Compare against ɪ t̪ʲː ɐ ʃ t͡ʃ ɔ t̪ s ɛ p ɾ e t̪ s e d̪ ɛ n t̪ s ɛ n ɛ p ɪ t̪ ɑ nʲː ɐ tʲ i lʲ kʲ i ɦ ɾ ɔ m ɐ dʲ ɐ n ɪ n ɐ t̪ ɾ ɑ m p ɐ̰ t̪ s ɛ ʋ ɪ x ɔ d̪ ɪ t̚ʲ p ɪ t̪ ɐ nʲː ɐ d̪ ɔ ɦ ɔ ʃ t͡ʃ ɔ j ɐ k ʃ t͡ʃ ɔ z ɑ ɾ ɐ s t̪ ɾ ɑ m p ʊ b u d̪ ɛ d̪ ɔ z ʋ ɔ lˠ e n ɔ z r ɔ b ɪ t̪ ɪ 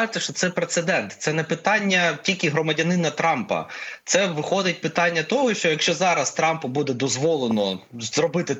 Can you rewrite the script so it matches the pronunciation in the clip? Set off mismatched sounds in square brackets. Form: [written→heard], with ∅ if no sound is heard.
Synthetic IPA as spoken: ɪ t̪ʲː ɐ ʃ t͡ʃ ɔ t̪ s ɛ p ɾ e t̪ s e d̪ ɛ n t̪ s ɛ n ɛ p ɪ t̪ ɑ nʲː ɐ tʲ i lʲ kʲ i ɦ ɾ ɔ m ɐ dʲ ɐ n ɪ n ɐ t̪ ɾ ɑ m p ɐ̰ t̪ s ɛ ʋ ɪ x ɔ d̪ ɪ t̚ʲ p ɪ t̪ [ɐ→ɑ] nʲː ɐ [d̪→t̪] ɔ ɦ ɔ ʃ t͡ʃ ɔ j ɐ k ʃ t͡ʃ ɔ z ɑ ɾ ɐ s t̪ ɾ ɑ m p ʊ b u d̪ ɛ d̪ ɔ z ʋ ɔ lˠ e n ɔ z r ɔ b ɪ t̪ ɪ